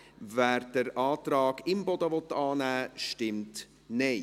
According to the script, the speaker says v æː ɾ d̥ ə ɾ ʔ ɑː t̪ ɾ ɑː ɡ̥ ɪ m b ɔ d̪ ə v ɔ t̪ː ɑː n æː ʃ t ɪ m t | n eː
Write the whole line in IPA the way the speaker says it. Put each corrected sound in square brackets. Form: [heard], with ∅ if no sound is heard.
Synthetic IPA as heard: v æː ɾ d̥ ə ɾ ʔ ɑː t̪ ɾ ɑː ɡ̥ ɪ m b ɔ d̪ ə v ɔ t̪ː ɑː n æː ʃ t ɪ m t | n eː